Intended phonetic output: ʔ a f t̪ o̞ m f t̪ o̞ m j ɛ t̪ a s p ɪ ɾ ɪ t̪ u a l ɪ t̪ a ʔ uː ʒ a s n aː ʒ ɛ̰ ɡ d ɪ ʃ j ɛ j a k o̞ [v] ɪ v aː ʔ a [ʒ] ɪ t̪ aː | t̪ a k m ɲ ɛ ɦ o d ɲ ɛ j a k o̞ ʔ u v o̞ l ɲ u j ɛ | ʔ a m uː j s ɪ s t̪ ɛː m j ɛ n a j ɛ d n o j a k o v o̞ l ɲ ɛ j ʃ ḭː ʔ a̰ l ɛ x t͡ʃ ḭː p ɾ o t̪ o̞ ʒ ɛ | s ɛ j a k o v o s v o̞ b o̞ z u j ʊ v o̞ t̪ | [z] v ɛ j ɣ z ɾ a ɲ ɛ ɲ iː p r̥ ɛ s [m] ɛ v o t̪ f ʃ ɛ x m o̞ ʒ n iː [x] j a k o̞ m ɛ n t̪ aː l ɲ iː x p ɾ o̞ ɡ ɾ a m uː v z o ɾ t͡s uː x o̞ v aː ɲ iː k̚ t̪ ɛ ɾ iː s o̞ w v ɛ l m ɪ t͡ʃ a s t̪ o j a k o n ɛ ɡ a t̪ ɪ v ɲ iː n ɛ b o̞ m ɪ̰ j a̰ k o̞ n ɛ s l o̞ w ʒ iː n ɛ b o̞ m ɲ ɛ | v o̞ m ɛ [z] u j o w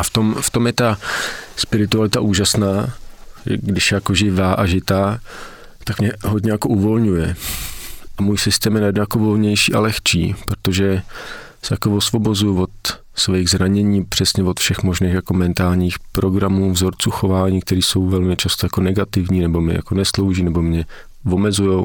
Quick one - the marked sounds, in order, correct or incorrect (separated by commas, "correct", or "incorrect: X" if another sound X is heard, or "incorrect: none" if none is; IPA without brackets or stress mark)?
incorrect: ʒ, correct, incorrect: s, incorrect: ɲ, correct, correct